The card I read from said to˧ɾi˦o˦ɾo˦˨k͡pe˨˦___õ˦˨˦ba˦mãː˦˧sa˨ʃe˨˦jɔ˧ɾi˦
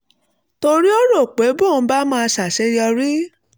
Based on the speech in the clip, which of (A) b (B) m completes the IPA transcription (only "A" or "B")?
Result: A